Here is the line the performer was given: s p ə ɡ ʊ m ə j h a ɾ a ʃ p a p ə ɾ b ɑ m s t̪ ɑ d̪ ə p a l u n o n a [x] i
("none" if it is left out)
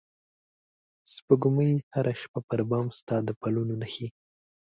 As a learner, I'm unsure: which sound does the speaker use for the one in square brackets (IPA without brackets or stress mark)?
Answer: x